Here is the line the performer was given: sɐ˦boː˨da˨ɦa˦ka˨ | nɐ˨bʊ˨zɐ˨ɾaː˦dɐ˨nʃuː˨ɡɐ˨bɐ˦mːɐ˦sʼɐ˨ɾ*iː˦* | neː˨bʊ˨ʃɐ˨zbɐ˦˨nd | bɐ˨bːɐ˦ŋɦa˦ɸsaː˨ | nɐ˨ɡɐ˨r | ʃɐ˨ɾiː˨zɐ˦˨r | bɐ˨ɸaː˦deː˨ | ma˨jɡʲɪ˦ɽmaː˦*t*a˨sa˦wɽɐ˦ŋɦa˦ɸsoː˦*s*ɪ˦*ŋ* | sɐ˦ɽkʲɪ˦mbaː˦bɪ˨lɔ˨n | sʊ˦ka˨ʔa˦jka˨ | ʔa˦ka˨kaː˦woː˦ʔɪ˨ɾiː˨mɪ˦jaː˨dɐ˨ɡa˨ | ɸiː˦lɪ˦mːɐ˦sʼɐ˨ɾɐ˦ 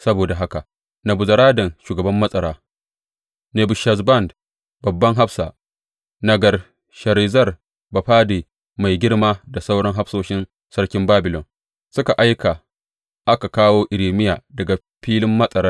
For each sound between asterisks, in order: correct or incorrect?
incorrect: aː˦, incorrect: d, incorrect: ʃ, incorrect: n

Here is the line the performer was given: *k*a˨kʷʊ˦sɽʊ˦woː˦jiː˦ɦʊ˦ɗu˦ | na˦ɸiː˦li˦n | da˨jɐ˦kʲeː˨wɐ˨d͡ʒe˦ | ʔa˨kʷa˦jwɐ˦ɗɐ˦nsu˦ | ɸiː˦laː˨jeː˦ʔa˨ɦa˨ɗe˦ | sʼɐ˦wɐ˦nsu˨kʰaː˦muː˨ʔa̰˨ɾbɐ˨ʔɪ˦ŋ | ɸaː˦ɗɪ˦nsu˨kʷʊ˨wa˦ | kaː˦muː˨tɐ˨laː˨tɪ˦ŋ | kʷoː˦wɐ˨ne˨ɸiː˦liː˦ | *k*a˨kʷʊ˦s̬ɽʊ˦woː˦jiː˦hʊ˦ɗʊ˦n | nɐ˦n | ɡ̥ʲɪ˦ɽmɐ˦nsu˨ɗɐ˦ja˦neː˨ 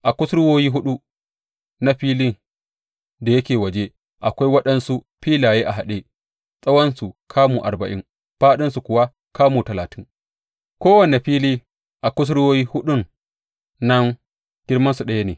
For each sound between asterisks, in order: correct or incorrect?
incorrect: ʔ, incorrect: ʔ

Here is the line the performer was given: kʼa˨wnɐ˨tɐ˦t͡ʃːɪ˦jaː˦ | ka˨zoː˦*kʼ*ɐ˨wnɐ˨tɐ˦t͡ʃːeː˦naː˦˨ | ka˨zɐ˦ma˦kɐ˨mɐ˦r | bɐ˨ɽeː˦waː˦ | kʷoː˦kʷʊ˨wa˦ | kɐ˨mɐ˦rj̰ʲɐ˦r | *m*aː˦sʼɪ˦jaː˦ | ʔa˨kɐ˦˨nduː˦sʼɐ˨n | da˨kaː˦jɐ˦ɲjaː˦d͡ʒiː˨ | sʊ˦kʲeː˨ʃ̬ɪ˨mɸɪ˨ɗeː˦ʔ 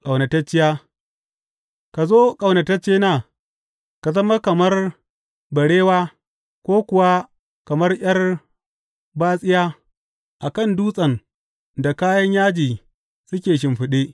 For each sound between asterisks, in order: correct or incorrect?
correct, incorrect: b

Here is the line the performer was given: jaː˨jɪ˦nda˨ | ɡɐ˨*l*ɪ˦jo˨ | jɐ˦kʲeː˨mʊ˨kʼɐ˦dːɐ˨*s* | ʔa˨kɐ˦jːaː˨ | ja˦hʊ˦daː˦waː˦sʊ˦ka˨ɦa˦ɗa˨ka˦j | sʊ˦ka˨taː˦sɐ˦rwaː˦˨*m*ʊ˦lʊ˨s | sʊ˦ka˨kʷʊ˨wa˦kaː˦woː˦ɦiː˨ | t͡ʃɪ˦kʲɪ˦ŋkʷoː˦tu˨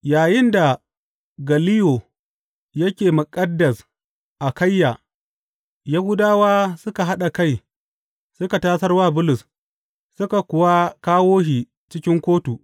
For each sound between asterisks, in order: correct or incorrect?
correct, correct, incorrect: b

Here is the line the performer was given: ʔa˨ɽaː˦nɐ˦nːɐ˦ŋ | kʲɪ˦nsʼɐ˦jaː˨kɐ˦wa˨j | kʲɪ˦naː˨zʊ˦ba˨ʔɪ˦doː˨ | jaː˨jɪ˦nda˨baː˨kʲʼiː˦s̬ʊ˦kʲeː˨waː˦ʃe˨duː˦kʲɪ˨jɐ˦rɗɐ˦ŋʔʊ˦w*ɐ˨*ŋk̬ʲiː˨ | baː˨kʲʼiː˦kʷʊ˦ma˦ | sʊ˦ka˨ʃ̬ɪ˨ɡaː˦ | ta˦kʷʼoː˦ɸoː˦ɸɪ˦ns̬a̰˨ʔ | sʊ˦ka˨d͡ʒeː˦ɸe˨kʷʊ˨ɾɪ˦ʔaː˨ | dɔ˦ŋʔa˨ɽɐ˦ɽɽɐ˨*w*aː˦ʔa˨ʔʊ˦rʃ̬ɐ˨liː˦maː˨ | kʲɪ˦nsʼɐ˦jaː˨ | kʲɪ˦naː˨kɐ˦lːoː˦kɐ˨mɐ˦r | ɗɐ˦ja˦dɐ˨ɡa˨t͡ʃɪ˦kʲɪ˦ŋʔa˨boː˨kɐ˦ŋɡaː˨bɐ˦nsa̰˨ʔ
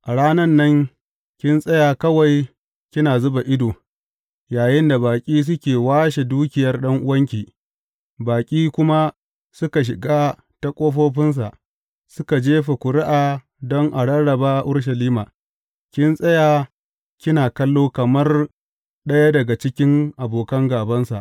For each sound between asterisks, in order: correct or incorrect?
incorrect: ɐ˦, incorrect: b

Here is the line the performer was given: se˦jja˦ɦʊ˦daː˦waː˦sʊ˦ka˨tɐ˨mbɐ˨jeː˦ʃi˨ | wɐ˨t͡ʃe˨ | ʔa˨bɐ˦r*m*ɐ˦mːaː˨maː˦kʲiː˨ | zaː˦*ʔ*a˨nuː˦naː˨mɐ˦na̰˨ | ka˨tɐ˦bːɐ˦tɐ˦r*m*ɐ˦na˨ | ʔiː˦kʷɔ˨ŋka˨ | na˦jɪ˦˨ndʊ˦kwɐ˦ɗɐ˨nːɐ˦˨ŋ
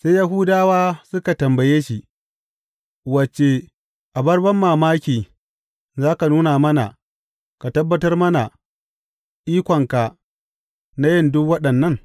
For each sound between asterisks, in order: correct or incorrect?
incorrect: b, incorrect: k, correct

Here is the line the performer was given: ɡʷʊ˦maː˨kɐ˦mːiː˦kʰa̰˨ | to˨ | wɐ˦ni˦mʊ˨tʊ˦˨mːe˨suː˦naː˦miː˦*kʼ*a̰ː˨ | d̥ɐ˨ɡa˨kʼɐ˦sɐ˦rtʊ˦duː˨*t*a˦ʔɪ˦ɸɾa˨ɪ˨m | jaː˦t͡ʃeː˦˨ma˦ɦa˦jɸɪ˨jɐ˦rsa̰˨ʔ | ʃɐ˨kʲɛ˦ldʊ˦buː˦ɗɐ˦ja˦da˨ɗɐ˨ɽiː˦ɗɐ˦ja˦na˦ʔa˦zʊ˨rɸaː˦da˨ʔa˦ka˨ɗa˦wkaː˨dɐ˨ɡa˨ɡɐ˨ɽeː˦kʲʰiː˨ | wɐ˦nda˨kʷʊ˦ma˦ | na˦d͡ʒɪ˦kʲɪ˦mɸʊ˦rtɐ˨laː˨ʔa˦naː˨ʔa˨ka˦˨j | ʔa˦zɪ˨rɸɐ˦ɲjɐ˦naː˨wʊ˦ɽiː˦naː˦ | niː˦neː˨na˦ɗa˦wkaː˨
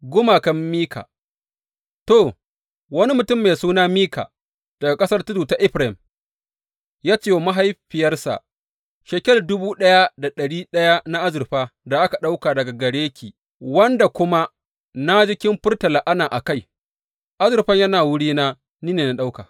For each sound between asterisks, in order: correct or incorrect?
incorrect: k, correct

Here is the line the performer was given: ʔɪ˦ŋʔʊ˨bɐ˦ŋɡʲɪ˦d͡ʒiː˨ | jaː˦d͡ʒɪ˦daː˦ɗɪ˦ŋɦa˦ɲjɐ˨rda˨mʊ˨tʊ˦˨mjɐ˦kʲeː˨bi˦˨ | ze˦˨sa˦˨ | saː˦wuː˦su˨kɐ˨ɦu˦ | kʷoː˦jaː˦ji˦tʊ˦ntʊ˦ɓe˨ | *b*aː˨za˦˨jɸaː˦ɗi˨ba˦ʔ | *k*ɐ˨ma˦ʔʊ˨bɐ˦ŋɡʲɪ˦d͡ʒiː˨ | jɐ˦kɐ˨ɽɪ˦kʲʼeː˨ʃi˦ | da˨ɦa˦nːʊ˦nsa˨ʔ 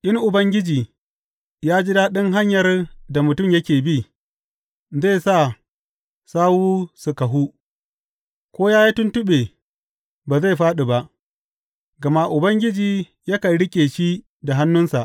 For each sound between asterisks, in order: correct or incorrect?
correct, incorrect: ɡ

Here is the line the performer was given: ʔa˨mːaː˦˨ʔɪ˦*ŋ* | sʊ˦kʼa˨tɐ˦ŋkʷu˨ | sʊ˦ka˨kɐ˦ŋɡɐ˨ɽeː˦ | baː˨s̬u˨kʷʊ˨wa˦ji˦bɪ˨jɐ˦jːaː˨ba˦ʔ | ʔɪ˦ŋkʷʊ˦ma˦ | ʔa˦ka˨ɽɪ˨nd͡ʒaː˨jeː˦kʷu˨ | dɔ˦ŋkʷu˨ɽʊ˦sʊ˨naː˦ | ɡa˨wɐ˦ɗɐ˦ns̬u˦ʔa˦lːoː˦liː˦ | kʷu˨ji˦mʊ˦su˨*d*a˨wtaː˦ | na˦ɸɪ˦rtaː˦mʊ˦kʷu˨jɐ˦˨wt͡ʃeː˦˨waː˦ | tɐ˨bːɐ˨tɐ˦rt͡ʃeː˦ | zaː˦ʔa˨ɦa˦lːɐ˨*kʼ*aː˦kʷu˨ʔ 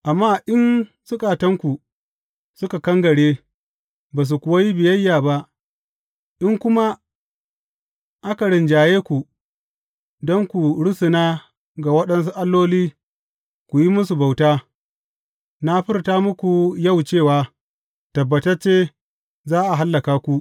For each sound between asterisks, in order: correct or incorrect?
incorrect: n, incorrect: b, incorrect: k

